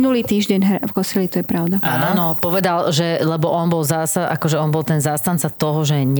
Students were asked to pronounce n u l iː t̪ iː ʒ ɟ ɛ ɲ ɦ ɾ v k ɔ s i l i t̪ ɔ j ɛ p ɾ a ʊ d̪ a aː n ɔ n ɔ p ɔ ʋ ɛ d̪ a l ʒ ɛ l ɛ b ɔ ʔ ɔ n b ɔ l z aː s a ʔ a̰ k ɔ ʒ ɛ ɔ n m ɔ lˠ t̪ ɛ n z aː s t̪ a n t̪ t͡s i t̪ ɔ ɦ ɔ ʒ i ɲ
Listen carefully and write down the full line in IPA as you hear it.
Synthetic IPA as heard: n u l iː t̪ iː ʒ ɟ ɛ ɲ ɦ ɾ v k ɔ s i l i t̪ ɔ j ɛ p ɾ a ʊ d̪ a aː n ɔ n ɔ p ɔ ʋ ɛ d̪ a l ʒ ɛ l ɛ b ɔ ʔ ɔ n b ɔ l z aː s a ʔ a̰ k ɔ ʒ ɛ ɔ n b ɔ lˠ t̪ ɛ n z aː s t̪ a n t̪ t͡s a t̪ ɔ ɦ ɔ ʒ ɛ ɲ